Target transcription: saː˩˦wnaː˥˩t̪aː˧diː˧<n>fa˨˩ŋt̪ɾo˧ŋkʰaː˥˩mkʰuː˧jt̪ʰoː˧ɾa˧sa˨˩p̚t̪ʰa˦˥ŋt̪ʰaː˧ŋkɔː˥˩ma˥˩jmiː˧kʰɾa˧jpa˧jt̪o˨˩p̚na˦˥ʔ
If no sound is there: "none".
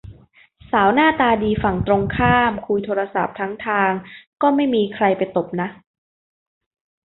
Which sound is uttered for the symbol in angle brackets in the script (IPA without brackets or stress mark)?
none